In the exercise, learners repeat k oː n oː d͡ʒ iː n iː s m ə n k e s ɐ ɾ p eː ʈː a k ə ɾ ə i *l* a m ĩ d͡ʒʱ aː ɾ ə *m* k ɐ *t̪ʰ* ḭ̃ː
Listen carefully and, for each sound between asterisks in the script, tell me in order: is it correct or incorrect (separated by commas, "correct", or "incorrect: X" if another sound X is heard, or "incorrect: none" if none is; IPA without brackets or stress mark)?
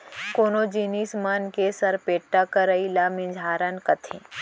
correct, incorrect: n, correct